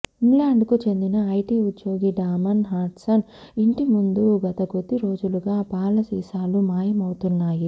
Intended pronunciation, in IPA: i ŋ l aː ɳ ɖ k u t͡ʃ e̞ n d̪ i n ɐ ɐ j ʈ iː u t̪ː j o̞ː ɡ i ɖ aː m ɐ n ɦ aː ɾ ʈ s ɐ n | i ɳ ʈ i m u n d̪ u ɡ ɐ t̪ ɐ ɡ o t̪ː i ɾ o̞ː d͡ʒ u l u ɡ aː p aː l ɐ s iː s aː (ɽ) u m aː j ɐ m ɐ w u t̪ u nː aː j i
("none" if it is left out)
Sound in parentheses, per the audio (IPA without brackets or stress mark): l